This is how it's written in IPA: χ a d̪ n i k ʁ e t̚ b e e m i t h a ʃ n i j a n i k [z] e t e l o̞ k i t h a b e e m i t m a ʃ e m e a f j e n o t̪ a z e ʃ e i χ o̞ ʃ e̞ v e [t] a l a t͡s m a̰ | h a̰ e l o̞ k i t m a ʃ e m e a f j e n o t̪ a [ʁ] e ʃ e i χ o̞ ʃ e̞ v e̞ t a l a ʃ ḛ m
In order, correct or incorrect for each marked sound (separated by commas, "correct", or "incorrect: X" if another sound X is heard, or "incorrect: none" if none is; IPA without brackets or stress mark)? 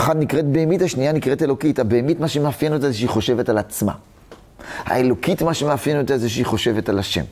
incorrect: ʁ, correct, incorrect: z